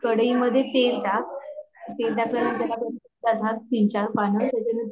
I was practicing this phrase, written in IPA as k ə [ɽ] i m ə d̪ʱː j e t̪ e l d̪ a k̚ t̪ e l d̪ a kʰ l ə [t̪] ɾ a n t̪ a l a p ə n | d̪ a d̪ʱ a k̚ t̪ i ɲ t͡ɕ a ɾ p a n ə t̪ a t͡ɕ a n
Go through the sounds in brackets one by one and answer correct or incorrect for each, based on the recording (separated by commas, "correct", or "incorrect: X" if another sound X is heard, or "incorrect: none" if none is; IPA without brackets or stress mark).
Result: correct, incorrect: none